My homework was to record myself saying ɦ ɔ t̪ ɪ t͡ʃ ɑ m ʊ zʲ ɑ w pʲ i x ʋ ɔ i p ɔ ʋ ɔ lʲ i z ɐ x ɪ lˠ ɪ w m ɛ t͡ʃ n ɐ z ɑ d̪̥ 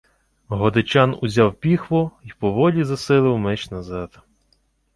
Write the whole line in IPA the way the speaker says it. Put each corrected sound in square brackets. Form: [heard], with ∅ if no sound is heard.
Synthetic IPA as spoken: ɦ ɔ [d̪] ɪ t͡ʃ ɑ [n] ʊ zʲ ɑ w pʲ i x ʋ ɔ i p ɔ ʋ ɔ lʲ i z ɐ [s] ɪ lˠ ɪ w m ɛ t͡ʃ n ɐ z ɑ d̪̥